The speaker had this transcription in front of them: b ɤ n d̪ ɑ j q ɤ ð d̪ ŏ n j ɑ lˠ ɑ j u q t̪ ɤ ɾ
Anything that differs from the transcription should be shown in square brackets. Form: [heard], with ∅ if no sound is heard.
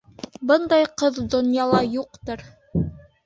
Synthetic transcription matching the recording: b ɤ n d̪ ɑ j q ɤ ð d̪ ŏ n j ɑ lˠ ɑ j u q t̪ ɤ ɾ